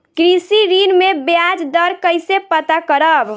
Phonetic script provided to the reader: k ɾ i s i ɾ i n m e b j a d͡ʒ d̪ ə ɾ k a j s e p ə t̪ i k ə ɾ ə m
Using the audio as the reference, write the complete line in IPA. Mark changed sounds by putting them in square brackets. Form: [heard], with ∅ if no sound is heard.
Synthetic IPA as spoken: k ɾ i s i ɾ i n m e b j a d͡ʒ d̪ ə ɾ k [ə] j s e p ə t̪ [a] k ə ɾ ə [b]